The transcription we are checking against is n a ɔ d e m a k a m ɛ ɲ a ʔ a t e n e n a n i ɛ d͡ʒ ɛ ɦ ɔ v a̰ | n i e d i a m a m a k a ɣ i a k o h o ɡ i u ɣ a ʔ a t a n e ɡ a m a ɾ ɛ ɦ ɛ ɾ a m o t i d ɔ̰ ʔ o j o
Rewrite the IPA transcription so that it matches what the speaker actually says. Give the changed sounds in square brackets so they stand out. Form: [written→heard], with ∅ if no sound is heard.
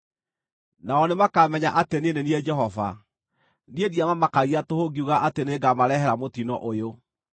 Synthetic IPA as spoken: n a ɔ [d→n] e m a k a m ɛ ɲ a ʔ a t e n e n [a→e] n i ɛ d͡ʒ ɛ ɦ ɔ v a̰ | n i e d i a m a m a k a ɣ i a [k→t] o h o ɡ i u ɣ a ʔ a t [a→e] n e ɡ a m a ɾ ɛ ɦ ɛ ɾ a m o t i [d→n] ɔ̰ ʔ o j o

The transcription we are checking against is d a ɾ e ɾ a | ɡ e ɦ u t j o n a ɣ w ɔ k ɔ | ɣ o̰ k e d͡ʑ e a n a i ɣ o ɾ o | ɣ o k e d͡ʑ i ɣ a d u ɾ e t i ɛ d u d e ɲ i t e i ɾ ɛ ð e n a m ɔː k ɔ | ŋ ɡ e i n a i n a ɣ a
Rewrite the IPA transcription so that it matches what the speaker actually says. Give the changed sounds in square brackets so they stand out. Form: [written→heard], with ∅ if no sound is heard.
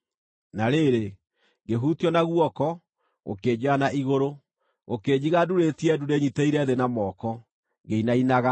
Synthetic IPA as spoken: [d→n] a ɾ e ɾ [a→e] | ɡ e ɦ u t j [o→ɔ] n a ɣ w ɔ k ɔ | ɣ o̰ k e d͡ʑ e a n a i ɣ o ɾ o | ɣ o k e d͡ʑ i ɣ a d u ɾ e t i ɛ d u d e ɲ i t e i ɾ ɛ ð e n a m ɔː k ɔ | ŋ ɡ e i n a i n a ɣ a

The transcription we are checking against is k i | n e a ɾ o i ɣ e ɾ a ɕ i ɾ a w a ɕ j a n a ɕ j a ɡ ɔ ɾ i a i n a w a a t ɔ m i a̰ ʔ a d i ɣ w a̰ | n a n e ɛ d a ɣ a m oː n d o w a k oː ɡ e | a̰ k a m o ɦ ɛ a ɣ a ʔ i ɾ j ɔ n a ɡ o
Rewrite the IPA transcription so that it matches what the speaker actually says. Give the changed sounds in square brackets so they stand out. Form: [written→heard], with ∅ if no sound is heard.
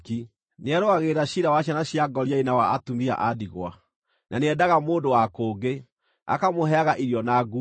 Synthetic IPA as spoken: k i | n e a ɾ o [i→a] ɣ e ɾ a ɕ i ɾ a w a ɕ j a n a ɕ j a ɡ ɔ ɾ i a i n a w a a t [ɔ→u] m i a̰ ʔ a d i ɣ w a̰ | n a n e ɛ d a ɣ a m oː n d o w a k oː ɡ e | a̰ k a m o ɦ ɛ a ɣ a ʔ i ɾ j ɔ n a ɡ [o→u]

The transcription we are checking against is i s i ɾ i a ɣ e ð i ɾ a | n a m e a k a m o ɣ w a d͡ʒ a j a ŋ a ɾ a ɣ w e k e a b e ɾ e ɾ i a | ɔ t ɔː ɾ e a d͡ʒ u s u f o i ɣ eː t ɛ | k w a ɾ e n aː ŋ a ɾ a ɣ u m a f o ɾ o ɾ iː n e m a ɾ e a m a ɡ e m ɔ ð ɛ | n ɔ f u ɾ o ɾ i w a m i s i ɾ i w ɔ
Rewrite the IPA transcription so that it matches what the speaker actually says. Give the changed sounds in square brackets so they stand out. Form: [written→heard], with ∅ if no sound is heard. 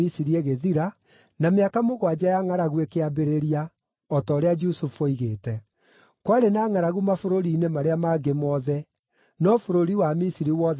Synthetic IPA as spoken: i s i ɾ i [a→e] ɣ e ð i ɾ a | n a m e a k a m o ɣ w a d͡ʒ a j a ŋ a ɾ a ɣ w e k e a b e ɾ e ɾ i a | ɔ t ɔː ɾ e a d͡ʒ u s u f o i ɣ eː t ɛ | k w a ɾ e n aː ŋ a ɾ a ɣ u m a f o ɾ o ɾ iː n e m a ɾ e a m a ɡ e m ɔ ð ɛ | n ɔ f [u→o] ɾ o ɾ i w a m i s i ɾ i w ɔ

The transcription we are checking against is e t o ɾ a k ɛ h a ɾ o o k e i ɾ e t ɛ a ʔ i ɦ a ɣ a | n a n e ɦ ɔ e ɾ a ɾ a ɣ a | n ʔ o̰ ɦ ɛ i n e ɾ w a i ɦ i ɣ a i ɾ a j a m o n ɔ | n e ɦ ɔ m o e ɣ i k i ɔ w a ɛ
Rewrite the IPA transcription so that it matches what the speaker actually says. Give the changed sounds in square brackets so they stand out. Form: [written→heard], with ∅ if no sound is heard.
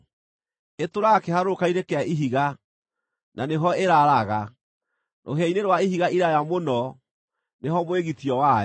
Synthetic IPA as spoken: e t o ɾ a k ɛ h a ɾ o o k [e→a] i ɾ e [t→k] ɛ a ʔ i ɦ [a→i] ɣ a | n a n e ɦ ɔ e ɾ a ɾ a ɣ a | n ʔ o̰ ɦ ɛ i n e ɾ w a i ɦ i ɣ a i ɾ a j a m o n ɔ | n e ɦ ɔ m o e ɣ i [k→t] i ɔ w a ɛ

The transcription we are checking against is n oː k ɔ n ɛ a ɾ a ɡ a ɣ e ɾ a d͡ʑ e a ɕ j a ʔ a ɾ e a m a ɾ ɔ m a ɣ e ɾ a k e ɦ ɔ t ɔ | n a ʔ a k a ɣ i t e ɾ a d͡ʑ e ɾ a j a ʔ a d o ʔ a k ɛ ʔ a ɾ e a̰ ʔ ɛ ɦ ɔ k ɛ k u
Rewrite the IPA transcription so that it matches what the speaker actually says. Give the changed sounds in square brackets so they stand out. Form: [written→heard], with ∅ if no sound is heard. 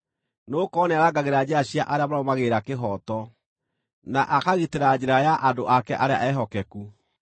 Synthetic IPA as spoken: n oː k ɔ n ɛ a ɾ a ɡ a ɣ e ɾ a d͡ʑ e a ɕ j a ʔ a ɾ e a m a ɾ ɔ m a ɣ e ɾ a k e ɦ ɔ t ɔ | n a ʔ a k a ɣ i t e ɾ a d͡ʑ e ɾ a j a ʔ a d o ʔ a k ɛ ʔ a ɾ e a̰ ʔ ɛ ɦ ɔ k ɛ k u

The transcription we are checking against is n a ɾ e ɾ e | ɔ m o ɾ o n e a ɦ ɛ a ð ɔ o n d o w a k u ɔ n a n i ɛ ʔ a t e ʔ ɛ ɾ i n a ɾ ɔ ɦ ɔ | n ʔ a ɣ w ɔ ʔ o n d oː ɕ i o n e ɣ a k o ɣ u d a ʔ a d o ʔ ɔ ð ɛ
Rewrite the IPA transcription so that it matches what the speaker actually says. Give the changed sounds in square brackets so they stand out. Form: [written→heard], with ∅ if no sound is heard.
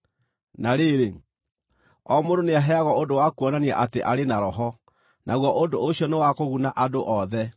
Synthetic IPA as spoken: n a ɾ e ɾ e | ɔ m o ɾ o n e a ɦ ɛ a [ð→ɣ] ɔ o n d o w a k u ɔ n a n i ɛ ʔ a t e ʔ [ɛ→a] ɾ [i→e] n a ɾ ɔ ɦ ɔ | n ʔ a ɣ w ɔ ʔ o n d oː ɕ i [o→ɔ] n e [ɣ→w] a k o ɣ u [d→n] a ʔ a d o ʔ ɔ ð ɛ

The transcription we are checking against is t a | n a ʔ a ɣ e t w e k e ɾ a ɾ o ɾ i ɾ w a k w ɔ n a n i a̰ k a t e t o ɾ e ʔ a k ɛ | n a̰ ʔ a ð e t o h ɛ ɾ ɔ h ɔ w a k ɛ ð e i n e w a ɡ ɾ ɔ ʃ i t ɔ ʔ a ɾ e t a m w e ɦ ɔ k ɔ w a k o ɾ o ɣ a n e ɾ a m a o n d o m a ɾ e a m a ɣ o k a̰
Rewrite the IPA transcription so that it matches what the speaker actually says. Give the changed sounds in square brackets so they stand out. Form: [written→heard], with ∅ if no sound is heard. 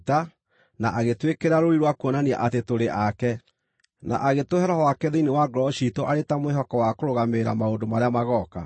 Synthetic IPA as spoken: t a | n a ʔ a ɣ e t w e k e ɾ a ɾ o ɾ i ɾ w a k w ɔ n a n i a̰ [k→ʔ] a t e t o ɾ e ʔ a k ɛ | n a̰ ʔ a [ð→ɣ] e t o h ɛ ɾ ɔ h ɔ w a k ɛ ð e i n e w a ɡ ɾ ɔ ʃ i t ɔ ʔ a ɾ e t a m w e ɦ ɔ k ɔ w a k o ɾ o ɣ a [n→m] e ɾ a m a o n d o m a ɾ e a m a ɣ [o→ɔ] k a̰

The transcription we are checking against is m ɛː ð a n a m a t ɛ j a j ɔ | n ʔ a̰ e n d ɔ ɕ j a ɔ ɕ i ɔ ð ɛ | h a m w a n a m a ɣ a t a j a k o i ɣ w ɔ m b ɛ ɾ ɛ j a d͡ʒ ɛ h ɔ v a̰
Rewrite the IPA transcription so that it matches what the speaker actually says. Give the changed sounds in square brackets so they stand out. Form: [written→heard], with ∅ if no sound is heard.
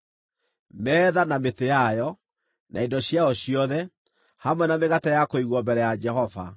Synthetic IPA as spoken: m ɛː ð a n a m [a→e] t [ɛ→e] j a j ɔ | n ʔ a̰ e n d ɔ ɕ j a ɔ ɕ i ɔ ð ɛ | h a m w [a→ɛ] n a m [a→e] ɣ a t a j a k o i ɣ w ɔ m b ɛ ɾ ɛ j a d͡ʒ ɛ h ɔ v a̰

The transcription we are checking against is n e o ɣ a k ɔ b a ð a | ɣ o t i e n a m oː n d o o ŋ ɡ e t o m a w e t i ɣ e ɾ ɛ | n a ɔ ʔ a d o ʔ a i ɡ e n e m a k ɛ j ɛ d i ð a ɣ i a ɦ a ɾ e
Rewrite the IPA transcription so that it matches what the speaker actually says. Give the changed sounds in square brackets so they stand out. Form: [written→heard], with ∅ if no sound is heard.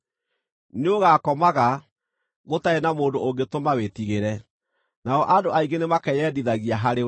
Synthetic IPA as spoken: n e o ɣ a k ɔ [b→m] a [ð→ɣ] a | ɣ o t [i→a] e n a m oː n d o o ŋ ɡ e t o m a w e t i ɣ e ɾ ɛ | n a ɔ ʔ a d o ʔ a i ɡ e n e m a k ɛ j ɛ d i ð a ɣ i a ɦ a ɾ e

